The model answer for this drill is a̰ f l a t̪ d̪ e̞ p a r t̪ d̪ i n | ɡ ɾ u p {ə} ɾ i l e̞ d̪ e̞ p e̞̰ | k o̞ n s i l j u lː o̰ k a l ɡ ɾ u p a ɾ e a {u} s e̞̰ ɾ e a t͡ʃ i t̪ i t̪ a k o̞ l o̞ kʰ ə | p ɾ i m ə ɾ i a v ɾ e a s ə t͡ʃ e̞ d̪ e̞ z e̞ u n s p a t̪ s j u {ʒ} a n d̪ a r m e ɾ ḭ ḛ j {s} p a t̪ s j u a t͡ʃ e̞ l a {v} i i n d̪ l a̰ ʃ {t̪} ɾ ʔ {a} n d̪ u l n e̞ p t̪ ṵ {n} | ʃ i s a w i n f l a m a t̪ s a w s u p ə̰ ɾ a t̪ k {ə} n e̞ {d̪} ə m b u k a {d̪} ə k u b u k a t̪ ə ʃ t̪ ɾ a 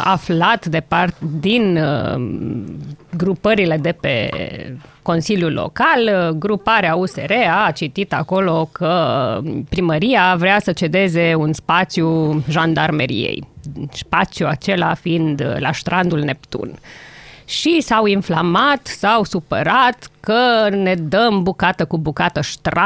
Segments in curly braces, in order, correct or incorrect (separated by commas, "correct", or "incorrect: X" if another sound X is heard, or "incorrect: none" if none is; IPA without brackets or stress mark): correct, correct, correct, correct, incorrect: f, correct, correct, correct, correct, correct, incorrect: t̪